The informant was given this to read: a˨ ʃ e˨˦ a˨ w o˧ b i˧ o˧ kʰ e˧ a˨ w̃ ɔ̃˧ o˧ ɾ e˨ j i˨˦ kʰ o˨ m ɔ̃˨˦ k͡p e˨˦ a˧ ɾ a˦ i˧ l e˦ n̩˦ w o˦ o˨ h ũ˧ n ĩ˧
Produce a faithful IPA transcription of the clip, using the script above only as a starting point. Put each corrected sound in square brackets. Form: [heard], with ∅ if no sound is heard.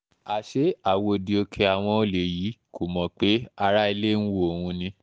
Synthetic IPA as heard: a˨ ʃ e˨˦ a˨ w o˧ [d] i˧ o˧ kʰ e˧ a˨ w̃ ɔ̃˧ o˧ [l] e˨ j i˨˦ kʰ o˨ m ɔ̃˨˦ k͡p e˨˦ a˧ ɾ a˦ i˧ l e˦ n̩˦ w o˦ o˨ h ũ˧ n ĩ˧